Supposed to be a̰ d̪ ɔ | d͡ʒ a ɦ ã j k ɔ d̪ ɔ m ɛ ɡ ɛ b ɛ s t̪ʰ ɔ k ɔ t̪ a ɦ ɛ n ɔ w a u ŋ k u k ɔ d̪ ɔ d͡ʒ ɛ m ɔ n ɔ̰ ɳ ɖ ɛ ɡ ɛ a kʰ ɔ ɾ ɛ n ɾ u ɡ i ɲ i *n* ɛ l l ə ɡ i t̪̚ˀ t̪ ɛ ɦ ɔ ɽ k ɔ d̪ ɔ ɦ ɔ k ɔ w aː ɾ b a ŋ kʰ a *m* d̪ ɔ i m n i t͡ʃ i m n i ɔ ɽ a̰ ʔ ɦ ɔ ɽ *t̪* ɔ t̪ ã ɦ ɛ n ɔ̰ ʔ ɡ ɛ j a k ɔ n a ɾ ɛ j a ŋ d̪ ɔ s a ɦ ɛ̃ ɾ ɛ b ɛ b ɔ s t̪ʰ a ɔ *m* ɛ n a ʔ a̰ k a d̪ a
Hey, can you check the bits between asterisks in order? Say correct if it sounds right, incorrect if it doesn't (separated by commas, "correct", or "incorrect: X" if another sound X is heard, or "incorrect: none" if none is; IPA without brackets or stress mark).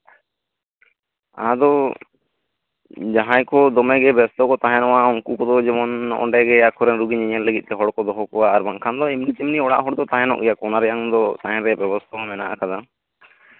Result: incorrect: ɲ, incorrect: n, incorrect: d̪, correct